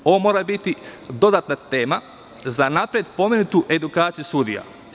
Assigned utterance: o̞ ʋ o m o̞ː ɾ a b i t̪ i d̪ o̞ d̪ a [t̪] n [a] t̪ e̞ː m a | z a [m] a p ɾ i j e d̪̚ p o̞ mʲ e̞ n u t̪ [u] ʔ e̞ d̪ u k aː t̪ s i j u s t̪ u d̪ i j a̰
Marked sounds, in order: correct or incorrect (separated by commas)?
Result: correct, correct, incorrect, correct